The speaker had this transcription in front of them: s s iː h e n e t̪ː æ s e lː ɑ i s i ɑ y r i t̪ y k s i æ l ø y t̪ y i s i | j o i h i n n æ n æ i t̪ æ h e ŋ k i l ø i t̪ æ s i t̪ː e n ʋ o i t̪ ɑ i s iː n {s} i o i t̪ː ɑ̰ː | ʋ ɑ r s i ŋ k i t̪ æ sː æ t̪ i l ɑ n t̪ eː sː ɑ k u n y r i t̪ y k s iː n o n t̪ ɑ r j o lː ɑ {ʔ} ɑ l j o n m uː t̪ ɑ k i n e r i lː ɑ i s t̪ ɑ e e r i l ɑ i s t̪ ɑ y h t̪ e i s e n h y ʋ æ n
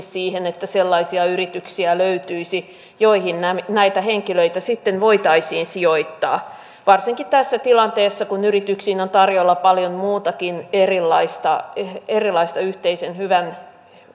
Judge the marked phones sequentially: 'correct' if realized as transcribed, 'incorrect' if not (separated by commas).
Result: correct, incorrect